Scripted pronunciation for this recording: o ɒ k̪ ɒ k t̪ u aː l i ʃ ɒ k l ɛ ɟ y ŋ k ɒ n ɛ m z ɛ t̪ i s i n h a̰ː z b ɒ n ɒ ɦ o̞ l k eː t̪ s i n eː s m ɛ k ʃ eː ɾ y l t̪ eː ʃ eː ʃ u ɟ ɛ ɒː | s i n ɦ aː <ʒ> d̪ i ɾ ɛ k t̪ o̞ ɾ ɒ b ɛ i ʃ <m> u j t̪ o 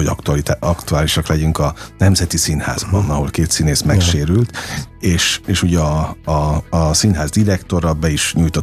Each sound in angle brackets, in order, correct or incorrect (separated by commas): incorrect, incorrect